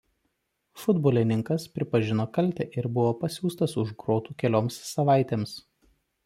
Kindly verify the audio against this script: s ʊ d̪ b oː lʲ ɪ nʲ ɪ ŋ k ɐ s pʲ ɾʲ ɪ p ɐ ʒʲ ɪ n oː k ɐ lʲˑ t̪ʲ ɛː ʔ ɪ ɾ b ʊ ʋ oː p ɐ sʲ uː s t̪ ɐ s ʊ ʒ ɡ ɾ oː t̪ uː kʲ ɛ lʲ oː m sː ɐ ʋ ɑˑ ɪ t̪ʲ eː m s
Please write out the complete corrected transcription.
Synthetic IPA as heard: f ʊ d̪ b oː lʲ ɪ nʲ ɪ ŋ k ɐ s pʲ ɾʲ ɪ p ɐ ʒʲ ɪ n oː k ɐ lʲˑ t̪ʲ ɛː ʔ ɪ ɾ b ʊ ʋ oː p ɐ sʲ uː s t̪ ɐ s ʊ ʒ ɡ ɾ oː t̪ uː kʲ ɛ lʲ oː m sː ɐ ʋ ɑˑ ɪ t̪ʲ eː m s